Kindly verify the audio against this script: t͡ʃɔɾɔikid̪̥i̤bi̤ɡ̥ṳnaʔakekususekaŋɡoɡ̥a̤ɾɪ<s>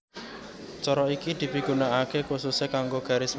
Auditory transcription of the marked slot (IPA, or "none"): s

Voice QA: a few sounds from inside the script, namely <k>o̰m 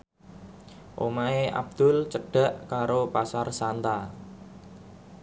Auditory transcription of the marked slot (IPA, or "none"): ʔ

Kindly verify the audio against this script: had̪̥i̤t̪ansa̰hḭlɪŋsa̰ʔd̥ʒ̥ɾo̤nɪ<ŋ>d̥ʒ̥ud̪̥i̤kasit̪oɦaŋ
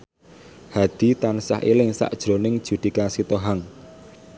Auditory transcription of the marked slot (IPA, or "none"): ŋ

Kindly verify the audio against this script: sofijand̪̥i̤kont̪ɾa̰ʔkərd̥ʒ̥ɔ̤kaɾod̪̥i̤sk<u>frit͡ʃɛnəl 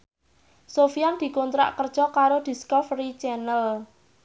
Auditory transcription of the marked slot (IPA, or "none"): ɔ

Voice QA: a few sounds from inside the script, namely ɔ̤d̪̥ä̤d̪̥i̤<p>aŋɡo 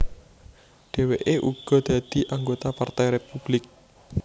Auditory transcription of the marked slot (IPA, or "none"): ʔ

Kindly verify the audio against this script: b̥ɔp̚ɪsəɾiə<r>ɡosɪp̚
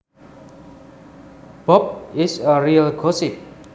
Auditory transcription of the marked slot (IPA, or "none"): l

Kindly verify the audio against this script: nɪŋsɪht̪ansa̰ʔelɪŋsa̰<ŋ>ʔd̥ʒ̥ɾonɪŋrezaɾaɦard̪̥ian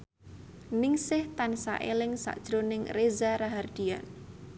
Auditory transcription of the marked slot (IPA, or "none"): none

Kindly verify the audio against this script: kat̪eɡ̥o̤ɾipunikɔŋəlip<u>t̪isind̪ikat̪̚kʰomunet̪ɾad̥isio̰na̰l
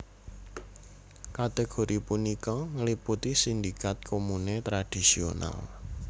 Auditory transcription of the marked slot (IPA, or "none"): u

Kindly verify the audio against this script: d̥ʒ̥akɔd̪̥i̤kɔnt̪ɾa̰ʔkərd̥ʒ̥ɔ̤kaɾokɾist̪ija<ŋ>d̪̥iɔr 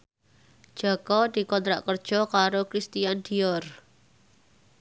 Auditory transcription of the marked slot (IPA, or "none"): n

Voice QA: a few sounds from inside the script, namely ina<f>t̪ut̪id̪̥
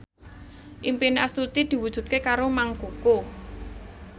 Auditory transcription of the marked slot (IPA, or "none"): s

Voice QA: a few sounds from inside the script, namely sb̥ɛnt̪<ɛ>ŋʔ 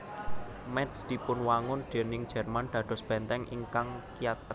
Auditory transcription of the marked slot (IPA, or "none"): ɛ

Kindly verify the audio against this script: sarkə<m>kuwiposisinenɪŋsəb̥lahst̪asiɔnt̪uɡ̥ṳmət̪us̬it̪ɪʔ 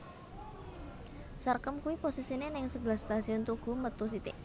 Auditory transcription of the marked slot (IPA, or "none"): m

